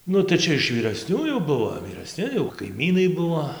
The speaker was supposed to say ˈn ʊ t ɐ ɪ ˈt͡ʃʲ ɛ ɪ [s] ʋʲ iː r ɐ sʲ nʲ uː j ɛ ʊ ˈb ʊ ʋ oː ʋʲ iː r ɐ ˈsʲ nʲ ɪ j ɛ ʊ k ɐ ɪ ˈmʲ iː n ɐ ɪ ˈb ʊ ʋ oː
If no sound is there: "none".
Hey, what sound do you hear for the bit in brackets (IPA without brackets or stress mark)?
ʃ